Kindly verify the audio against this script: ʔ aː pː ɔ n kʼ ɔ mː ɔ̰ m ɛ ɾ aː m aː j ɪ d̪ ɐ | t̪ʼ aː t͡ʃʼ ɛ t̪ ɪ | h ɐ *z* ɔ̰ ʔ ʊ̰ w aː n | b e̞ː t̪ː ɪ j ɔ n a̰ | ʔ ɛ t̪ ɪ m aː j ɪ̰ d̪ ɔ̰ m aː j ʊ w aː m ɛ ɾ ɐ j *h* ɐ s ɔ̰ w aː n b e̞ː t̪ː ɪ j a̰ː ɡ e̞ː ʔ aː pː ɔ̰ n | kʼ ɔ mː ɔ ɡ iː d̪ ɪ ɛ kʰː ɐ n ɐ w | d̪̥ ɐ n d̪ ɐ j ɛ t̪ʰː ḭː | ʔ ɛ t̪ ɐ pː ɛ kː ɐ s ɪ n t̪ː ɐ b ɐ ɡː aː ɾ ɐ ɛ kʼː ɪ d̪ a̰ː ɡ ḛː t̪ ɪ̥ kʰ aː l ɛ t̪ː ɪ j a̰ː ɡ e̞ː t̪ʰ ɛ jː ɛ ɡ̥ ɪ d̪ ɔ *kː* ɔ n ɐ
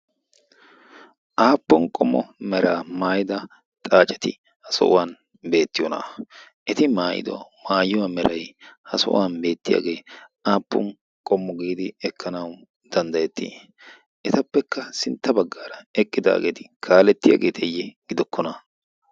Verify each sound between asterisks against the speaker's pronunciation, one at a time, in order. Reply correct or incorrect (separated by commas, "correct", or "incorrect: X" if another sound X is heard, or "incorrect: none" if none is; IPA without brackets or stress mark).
incorrect: s, correct, correct